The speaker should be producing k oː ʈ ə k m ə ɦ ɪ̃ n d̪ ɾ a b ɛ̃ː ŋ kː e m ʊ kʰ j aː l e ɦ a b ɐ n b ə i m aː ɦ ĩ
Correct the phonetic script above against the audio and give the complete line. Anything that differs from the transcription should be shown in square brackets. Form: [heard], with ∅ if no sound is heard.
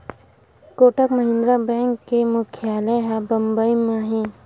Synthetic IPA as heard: k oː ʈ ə k m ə ɦ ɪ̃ n d̪ ɾ a b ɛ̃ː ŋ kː e m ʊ kʰ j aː l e ɦ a b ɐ [m] b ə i m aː ɦ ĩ